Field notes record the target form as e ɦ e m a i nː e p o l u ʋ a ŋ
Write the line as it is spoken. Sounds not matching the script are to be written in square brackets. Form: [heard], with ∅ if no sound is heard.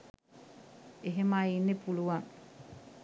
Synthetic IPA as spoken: e ɦ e m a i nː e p [u] l u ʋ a ŋ